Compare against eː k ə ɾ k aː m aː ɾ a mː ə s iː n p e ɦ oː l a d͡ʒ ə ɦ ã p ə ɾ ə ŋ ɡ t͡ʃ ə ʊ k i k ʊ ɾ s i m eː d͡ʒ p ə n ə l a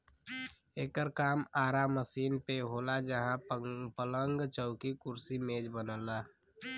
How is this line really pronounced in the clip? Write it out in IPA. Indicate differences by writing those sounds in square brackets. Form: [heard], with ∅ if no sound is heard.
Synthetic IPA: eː k ə ɾ k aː m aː ɾ a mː ə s iː n p e ɦ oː l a d͡ʒ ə ɦ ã p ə [l] ə ŋ ɡ t͡ʃ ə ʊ k i k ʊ ɾ s i m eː d͡ʒ [b] ə n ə l a